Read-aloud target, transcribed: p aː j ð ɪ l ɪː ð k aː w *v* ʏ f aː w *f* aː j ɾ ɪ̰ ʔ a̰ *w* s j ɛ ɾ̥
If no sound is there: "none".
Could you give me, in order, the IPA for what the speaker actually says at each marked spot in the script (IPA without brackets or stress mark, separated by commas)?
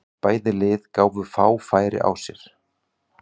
v, f, w